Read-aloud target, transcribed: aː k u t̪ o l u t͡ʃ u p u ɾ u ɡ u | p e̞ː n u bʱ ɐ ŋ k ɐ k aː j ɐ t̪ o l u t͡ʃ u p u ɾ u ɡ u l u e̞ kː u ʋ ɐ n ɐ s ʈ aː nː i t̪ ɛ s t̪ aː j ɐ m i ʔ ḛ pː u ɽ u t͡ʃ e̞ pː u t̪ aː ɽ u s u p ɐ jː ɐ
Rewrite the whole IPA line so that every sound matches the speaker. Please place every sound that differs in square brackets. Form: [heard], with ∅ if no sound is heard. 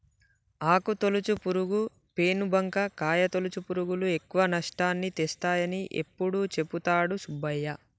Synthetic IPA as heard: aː k u t̪ o l u t͡ʃ u p u ɾ u ɡ u | p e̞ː n u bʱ ɐ ŋ k ɐ k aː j ɐ t̪ o l u t͡ʃ u p u ɾ u ɡ u l u e̞ kː u ʋ ɐ n ɐ [ʂ] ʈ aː nː i t̪ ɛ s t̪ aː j ɐ [n] i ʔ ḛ pː u ɽ u t͡ʃ e̞ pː u t̪ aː ɽ u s u [b] ɐ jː ɐ